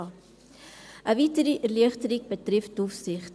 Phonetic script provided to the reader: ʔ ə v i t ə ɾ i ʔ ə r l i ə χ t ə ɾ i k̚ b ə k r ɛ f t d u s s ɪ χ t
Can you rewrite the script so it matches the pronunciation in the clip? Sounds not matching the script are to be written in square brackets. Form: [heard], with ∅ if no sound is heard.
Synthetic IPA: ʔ ə v i t ə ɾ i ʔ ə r l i ə χ t ə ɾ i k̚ b ə [t] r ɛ f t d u [f] s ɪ χ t